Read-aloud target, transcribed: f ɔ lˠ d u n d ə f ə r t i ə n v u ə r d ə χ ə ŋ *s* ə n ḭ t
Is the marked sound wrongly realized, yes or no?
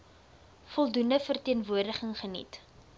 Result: yes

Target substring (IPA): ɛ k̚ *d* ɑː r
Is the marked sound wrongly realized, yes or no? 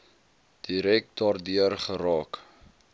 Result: no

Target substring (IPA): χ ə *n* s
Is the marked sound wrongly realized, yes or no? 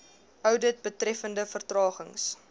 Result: yes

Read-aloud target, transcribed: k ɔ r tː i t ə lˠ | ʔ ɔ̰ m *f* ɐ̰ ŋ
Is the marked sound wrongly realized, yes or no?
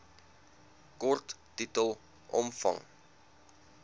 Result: no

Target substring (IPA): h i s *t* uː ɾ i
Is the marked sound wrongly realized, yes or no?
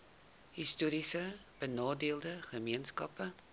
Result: no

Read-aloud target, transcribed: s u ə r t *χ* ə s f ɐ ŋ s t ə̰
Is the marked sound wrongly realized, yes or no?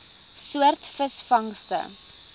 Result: yes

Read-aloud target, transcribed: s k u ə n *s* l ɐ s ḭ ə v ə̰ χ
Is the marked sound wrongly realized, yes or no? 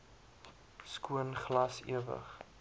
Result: yes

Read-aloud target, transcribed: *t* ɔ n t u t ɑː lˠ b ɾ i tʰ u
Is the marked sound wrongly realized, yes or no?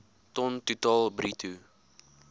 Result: no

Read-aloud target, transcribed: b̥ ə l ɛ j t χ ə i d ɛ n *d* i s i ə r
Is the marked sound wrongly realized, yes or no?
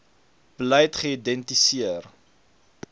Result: yes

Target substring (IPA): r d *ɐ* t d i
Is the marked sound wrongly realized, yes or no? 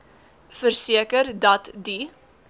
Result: no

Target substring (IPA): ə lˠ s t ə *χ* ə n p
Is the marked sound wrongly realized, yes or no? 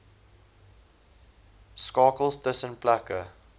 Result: yes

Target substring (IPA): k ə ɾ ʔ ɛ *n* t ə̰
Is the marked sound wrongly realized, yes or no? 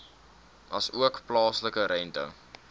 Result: no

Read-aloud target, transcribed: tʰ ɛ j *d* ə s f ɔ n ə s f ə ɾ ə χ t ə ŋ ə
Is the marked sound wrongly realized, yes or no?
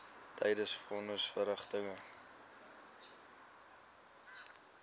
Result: no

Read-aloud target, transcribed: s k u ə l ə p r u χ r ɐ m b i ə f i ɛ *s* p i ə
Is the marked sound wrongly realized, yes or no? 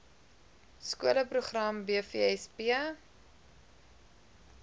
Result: no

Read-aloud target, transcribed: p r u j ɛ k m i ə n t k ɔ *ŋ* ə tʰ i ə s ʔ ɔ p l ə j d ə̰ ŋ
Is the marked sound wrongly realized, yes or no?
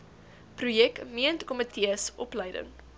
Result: yes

